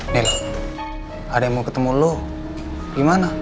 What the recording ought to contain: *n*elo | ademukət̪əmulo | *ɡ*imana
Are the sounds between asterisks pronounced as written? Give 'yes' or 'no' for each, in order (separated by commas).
yes, yes